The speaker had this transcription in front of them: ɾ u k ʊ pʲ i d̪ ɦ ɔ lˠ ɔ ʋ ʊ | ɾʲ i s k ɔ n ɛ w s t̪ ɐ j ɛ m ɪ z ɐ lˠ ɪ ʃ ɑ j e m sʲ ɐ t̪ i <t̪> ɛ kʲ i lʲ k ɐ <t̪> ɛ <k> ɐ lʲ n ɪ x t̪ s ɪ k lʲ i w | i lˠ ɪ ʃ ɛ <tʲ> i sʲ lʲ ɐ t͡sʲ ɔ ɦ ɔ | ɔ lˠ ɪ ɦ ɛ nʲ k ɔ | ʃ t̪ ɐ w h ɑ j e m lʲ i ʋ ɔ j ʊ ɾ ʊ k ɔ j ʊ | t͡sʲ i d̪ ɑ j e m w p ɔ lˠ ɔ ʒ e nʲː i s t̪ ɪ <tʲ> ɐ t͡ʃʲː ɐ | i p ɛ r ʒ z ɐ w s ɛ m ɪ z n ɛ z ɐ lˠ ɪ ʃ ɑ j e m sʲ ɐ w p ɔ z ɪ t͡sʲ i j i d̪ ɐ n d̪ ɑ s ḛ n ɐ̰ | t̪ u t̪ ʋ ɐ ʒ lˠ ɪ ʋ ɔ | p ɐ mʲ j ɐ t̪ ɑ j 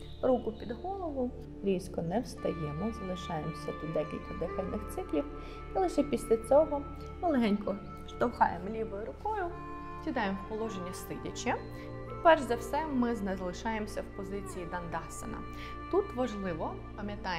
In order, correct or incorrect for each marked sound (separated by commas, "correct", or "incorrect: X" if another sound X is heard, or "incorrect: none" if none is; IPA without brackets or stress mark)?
incorrect: d̪, incorrect: d̪, incorrect: x, incorrect: pʲ, incorrect: dʲ